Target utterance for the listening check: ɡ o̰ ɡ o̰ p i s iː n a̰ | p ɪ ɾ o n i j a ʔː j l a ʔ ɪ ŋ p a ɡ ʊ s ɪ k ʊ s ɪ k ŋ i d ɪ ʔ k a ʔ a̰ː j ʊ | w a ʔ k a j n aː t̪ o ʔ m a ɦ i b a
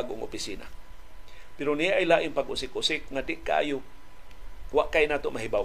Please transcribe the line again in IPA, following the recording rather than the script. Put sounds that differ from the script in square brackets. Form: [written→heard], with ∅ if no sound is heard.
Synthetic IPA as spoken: ɡ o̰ [ɡ→ŋ] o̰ p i s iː n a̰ | p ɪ ɾ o n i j a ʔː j l a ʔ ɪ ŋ p a ɡ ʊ s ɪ k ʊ s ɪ k ŋ [i→a] d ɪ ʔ k a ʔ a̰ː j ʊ | w a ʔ k a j n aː t̪ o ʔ m a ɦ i b a